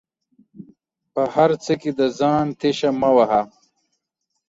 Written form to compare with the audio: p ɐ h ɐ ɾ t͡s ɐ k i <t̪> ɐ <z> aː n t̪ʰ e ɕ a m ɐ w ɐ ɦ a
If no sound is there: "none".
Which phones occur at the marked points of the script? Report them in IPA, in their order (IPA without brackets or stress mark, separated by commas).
d̪, z